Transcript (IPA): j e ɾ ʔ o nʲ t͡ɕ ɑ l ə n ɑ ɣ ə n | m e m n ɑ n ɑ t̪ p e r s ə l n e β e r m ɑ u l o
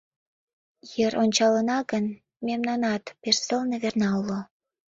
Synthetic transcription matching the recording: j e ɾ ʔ o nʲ t͡ɕ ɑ l ə n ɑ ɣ ə n | m e m n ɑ n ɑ t̪ p e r s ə l n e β e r n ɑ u l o